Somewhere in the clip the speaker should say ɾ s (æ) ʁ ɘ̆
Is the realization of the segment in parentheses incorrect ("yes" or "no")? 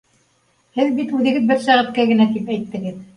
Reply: no